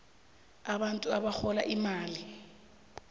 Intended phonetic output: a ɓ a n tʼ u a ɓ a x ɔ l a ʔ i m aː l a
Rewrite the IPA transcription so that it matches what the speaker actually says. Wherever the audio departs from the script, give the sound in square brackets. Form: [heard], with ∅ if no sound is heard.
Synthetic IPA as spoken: a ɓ a n tʼ u a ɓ a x ɔ l a ʔ i m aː l [i]